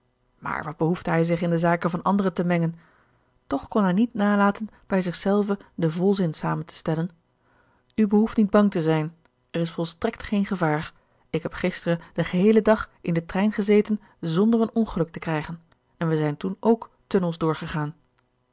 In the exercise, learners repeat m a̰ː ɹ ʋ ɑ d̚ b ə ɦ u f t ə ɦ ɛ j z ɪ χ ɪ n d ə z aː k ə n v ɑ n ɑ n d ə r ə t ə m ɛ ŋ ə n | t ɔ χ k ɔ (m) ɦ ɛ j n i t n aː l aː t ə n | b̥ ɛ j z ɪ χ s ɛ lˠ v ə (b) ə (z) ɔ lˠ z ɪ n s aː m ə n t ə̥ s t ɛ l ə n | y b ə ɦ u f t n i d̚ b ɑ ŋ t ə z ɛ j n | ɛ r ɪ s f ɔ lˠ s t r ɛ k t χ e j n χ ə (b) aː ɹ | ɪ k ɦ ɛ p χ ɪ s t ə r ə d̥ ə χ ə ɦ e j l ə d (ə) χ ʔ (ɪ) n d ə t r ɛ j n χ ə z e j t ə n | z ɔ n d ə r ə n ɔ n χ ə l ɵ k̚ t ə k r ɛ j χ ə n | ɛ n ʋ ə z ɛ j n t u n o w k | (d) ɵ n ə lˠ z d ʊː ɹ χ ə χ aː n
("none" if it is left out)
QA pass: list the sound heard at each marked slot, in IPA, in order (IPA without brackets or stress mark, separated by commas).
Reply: n, d, v, v, ɑ, ɪ, t